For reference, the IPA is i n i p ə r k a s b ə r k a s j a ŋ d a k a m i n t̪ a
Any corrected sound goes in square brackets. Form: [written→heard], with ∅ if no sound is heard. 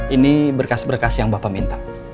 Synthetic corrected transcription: i n i [p→b] ə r k a s b ə r k a s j a ŋ [d→b] a [k→p] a m i n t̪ a